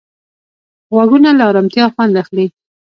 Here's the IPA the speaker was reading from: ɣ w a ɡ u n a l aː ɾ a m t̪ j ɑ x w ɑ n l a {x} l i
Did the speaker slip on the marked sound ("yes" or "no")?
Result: no